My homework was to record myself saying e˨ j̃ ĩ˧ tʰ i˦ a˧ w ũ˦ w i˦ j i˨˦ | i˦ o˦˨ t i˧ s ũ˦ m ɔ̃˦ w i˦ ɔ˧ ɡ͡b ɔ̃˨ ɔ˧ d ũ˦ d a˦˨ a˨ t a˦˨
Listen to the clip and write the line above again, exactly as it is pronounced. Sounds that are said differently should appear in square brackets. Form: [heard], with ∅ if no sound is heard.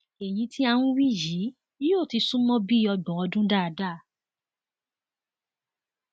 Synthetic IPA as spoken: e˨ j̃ ĩ˧ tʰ i˦ a˧ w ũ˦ w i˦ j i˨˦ | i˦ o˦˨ t i˧ s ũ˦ m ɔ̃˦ [b] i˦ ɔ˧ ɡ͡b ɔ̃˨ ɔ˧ d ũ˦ d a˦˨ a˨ [d] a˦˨